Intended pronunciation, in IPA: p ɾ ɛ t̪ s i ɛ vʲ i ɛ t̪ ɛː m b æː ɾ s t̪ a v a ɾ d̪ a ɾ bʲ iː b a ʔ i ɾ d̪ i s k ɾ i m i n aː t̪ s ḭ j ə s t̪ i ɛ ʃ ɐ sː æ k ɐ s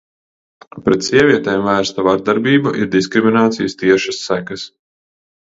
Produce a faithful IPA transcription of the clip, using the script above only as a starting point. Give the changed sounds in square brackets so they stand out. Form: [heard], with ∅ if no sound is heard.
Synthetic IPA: p ɾ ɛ t̪ s i ɛ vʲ i ɛ t̪ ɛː m [v] æː ɾ s t̪ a v a ɾ d̪ a ɾ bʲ iː b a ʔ i ɾ d̪ i s k ɾ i m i n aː t̪ s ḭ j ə s t̪ i ɛ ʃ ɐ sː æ k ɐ s